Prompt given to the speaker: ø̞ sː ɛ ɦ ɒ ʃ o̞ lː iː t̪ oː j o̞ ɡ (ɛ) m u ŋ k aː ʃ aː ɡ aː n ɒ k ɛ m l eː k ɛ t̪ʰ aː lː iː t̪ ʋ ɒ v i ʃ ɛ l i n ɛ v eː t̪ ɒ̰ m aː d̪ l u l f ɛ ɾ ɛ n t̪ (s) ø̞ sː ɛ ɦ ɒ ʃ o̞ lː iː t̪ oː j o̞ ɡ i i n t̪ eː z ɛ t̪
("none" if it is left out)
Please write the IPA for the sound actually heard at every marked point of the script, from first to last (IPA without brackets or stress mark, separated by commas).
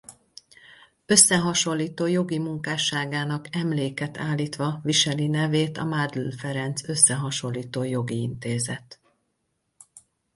i, s